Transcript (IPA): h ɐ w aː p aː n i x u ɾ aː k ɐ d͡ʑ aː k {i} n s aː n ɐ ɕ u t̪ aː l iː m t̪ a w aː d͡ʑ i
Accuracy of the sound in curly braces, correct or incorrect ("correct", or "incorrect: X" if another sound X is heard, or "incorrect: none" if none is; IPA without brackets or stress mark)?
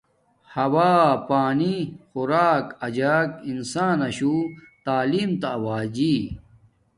correct